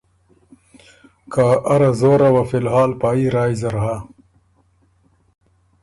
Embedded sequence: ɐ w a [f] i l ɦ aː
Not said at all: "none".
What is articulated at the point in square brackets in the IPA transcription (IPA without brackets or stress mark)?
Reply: f